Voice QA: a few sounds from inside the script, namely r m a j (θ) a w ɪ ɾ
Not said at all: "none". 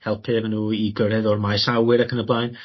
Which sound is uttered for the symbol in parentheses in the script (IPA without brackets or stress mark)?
s